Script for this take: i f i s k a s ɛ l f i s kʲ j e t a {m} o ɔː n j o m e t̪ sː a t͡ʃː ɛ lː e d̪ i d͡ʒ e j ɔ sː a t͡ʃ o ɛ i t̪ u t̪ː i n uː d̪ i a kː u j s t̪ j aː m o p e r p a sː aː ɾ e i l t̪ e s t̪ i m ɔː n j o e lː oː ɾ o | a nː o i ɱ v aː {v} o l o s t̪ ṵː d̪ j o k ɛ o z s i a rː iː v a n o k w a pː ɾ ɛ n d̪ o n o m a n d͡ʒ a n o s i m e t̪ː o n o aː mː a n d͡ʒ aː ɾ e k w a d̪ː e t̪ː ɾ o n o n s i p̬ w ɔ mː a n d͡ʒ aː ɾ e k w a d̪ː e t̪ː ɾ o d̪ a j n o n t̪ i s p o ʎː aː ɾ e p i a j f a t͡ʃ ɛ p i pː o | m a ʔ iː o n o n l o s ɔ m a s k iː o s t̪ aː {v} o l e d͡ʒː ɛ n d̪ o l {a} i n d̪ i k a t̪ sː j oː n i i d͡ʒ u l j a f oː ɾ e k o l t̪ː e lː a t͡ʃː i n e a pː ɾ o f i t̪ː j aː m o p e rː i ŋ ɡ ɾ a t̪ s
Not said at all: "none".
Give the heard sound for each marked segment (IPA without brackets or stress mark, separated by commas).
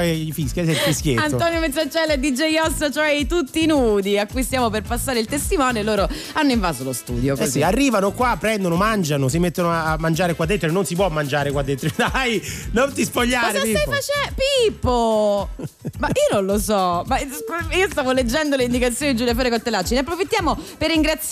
n, z, v, e